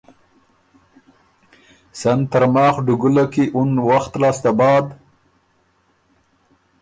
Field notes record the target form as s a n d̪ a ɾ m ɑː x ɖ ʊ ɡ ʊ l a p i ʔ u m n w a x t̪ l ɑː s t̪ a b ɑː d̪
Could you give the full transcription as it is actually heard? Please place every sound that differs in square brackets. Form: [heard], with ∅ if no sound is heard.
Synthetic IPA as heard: s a n [t̪] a ɾ m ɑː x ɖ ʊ ɡ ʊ l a [k] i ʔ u [∅] n w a x t̪ l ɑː s t̪ a b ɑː d̪